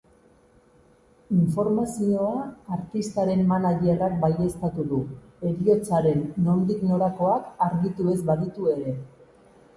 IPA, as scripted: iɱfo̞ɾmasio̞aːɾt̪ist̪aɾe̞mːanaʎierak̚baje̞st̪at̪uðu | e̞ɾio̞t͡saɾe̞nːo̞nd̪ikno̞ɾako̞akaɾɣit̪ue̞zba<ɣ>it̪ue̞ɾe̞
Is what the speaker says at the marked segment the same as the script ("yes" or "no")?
no